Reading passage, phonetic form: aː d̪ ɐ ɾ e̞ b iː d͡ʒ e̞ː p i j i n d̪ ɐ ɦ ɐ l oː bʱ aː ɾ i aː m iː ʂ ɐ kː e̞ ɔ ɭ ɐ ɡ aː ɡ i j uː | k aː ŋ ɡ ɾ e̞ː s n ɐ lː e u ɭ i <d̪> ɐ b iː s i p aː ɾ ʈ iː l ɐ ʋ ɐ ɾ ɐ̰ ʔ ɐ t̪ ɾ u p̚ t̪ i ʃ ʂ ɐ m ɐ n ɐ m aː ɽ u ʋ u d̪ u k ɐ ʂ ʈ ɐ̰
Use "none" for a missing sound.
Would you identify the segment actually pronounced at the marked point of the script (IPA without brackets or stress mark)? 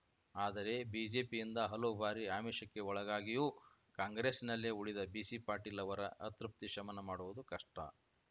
d̪